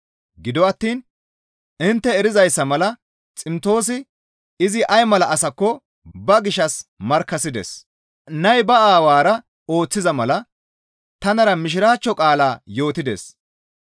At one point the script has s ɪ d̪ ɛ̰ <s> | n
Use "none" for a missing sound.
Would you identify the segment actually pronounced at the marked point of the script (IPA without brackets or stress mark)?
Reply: s